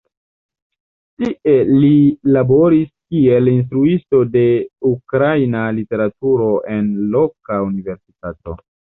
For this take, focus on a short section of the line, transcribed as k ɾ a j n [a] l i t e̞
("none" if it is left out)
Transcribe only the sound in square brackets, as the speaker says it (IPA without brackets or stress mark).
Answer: a